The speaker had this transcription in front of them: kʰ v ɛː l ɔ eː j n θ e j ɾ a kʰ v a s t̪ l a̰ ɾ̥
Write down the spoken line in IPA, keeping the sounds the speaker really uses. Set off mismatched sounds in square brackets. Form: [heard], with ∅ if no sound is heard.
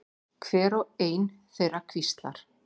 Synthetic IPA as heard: kʰ v ɛː [ɾ] ɔ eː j n θ e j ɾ a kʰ v [i] s t̪ l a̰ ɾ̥